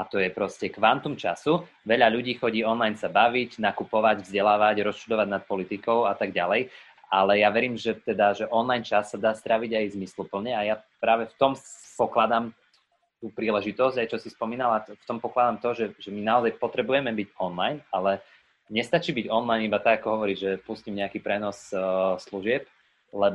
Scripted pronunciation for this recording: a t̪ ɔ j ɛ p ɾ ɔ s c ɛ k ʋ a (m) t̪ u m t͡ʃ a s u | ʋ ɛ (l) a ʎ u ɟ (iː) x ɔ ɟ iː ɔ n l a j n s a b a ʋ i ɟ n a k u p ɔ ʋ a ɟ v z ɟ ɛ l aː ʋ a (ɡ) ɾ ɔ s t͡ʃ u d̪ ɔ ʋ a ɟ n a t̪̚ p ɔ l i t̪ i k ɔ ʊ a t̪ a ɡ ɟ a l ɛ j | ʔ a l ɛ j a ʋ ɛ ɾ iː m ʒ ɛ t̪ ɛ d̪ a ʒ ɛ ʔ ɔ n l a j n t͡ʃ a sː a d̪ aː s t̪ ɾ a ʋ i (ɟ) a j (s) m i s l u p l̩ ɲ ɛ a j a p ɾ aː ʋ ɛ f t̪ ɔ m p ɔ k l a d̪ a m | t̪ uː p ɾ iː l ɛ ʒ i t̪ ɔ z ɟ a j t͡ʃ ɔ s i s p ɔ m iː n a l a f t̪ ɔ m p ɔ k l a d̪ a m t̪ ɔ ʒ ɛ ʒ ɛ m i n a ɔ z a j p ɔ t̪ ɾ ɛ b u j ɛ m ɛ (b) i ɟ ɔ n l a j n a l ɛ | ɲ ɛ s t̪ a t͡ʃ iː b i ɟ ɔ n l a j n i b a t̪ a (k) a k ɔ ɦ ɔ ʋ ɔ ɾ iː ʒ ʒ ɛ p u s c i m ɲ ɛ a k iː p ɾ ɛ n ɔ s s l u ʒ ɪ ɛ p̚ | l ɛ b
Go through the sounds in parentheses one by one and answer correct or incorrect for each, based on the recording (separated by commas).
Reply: incorrect, incorrect, correct, incorrect, correct, incorrect, correct, incorrect